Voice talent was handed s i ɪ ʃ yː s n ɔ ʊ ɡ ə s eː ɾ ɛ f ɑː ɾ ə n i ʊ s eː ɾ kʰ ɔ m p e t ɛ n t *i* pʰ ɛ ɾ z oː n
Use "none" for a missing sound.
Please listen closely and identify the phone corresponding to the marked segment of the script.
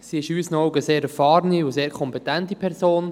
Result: i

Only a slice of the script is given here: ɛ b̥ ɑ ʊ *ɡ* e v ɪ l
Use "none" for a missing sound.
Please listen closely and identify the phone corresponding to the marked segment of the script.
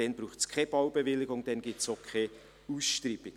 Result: b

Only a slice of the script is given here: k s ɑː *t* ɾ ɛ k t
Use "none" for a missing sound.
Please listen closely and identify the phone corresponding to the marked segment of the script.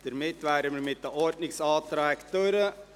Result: t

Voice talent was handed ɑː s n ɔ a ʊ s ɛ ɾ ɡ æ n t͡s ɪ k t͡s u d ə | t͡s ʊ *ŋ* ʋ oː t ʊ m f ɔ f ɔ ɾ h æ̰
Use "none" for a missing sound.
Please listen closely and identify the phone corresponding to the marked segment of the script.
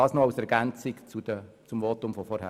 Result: m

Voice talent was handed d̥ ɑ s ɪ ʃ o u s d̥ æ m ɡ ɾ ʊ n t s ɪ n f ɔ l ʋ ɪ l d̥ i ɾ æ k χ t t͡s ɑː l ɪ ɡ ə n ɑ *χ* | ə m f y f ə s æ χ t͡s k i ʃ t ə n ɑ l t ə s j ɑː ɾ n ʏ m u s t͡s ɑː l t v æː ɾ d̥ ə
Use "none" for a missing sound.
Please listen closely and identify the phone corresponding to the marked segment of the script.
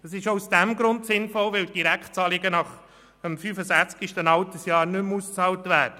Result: χ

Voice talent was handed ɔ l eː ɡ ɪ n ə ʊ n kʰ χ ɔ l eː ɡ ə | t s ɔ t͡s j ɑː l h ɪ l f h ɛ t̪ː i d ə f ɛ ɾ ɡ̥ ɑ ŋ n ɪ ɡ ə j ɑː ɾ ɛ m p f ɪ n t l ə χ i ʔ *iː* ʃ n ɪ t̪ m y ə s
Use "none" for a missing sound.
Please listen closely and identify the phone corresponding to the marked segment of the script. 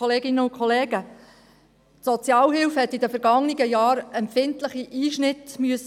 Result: iː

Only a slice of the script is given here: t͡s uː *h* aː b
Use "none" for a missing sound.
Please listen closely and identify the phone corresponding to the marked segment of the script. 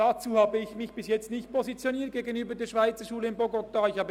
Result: h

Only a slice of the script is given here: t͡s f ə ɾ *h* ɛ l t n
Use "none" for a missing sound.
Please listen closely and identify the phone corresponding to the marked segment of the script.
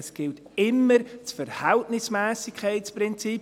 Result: h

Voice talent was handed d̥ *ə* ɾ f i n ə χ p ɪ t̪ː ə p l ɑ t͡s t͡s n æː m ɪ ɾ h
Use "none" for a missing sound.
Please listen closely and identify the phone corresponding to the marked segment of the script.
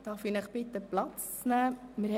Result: ɑ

